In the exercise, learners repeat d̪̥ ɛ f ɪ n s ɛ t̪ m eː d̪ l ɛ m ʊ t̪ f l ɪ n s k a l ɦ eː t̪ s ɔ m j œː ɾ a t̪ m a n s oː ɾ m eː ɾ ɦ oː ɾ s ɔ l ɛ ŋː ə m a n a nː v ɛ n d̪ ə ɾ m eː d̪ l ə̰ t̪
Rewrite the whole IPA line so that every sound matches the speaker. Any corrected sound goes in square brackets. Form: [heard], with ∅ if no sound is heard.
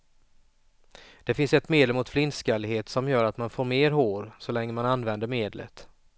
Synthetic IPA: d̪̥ ɛ f ɪ n s ɛ t̪ m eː d̪ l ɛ m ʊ t̪ f l ɪ n s k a l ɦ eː t̪ s ɔ m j œː ɾ a t̪ m a n [f] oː ɾ m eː ɾ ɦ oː ɾ s ɔ l ɛ ŋː ə m a n a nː v ɛ n d̪ ə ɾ m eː d̪ l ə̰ t̪